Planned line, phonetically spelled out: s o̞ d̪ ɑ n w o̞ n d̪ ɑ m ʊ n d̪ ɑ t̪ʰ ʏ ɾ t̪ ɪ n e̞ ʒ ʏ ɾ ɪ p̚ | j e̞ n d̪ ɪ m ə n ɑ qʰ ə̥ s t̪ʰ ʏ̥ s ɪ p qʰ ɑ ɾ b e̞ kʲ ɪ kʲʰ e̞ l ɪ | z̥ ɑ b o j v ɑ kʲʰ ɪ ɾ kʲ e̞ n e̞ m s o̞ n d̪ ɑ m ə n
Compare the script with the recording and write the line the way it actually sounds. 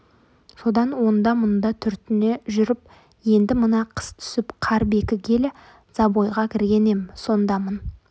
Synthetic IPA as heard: s o̞ d̪ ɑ n w o̞ n d̪ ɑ m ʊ n d̪ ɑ t̪ʰ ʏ ɾ t̪ ɪ n e̞ ʒ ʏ ɾ ɪ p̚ | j e̞ n d̪ ɪ m ə n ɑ qʰ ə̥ s t̪ʰ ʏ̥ s ɪ p qʰ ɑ ɾ b e̞ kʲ ɪ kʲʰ e̞ l ɪ | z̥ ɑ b o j ʁ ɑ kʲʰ ɪ ɾ ɡʲ e̞ n e̞ m s o̞ n d̪ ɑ m ə n